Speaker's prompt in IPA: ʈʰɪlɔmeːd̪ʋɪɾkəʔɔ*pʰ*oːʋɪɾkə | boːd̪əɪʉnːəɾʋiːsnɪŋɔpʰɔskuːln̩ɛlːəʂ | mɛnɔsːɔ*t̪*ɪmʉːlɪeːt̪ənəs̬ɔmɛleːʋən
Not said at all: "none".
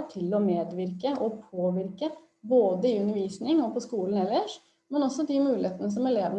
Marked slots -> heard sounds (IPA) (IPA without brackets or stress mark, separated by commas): pʰ, d̪